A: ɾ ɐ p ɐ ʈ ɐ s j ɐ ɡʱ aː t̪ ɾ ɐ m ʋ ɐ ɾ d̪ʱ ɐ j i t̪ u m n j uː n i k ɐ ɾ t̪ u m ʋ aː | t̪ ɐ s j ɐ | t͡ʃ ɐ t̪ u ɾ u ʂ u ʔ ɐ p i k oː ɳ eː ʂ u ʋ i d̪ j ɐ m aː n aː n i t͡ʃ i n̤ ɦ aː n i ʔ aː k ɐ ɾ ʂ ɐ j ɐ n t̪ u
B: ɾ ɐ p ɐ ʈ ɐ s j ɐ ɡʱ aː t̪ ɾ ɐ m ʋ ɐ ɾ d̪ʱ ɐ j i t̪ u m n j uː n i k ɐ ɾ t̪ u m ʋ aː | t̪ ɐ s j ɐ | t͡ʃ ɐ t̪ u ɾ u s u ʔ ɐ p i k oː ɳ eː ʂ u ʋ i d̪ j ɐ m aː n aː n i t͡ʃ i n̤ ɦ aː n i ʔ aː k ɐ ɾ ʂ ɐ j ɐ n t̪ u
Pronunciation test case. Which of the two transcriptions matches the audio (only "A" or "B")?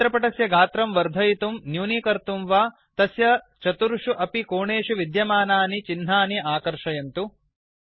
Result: A